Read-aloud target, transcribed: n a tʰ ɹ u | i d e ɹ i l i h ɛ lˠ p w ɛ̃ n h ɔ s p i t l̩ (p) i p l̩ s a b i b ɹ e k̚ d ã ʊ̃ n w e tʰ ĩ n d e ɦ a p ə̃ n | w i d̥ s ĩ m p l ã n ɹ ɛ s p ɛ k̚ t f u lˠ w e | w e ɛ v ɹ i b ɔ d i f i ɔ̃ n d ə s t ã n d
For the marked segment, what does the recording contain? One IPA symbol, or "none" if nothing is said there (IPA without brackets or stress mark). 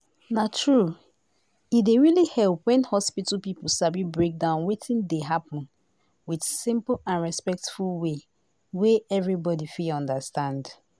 p